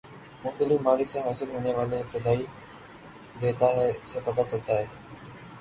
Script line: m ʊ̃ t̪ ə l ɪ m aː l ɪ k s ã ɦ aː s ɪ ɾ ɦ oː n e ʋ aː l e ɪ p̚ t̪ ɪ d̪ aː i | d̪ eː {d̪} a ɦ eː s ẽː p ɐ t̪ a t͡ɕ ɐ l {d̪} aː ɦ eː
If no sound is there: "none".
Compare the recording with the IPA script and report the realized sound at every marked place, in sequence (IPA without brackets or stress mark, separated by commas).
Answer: t̪, t̪